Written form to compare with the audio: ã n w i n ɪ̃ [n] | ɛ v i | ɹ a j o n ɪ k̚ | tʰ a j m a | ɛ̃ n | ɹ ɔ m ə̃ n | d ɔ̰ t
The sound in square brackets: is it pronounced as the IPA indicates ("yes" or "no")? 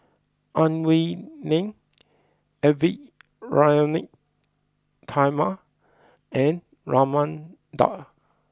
no